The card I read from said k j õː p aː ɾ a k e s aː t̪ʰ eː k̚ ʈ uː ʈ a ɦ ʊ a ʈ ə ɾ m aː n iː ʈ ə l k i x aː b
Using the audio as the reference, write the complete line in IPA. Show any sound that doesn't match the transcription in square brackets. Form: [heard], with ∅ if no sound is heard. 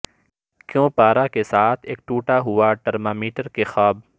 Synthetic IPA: k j õː p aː ɾ a k e s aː t̪ʰ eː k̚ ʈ uː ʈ a ɦ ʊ a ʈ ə ɾ m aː [m] iː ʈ ə [ɾ] k [e] x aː b